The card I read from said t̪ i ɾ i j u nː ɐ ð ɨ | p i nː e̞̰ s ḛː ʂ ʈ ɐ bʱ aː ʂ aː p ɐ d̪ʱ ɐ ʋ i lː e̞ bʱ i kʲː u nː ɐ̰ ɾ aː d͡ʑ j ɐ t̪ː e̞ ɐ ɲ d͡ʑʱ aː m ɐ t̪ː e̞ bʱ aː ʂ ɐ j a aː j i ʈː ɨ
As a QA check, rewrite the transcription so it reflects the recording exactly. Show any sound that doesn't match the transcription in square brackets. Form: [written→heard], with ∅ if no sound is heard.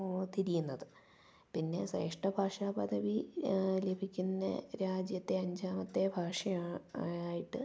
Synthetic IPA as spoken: t̪ i ɾ i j u nː ɐ ð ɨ | p i nː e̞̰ s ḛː ʂ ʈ ɐ bʱ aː ʂ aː p ɐ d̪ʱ ɐ ʋ i [lː→l] e̞ bʱ i kʲː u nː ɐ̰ ɾ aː d͡ʑ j ɐ t̪ː e̞ ɐ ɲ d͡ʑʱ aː m ɐ t̪ː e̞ bʱ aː ʂ ɐ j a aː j i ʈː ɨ